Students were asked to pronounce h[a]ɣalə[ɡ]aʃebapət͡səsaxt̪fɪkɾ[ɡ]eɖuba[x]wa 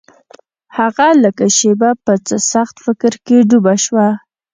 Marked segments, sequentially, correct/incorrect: correct, incorrect: k, incorrect: k, incorrect: ʃ

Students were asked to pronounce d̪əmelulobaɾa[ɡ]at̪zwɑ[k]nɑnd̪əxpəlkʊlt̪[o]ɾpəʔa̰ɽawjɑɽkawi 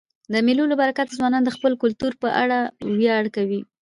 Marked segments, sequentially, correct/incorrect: incorrect: k, incorrect: none, incorrect: u

